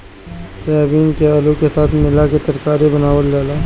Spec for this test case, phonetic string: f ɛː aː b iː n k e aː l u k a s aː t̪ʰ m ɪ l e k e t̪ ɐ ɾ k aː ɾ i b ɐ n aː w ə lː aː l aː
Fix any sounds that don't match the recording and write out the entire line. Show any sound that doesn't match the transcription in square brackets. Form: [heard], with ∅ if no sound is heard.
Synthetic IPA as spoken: [s] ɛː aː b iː n k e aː l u k [e] s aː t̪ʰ m ɪ l [a] k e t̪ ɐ ɾ k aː ɾ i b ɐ n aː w ə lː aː l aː

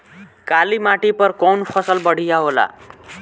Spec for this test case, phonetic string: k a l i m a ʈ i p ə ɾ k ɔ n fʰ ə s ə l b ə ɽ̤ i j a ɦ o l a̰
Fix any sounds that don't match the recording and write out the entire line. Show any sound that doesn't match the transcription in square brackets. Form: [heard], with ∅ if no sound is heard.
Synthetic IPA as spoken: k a l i m a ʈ i p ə ɾ k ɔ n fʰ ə s ə l b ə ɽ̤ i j a ɦ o l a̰

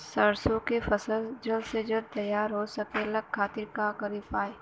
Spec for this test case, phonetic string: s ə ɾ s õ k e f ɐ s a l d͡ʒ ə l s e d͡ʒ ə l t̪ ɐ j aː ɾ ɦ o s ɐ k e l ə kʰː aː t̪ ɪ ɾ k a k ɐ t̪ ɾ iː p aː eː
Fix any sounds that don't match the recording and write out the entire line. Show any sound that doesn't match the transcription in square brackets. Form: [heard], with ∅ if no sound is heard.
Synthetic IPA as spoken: s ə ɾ s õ k e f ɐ s [ə] l d͡ʒ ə l s e d͡ʒ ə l t̪ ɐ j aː ɾ ɦ o s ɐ k e l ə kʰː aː t̪ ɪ ɾ k a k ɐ [∅] ɾ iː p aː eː

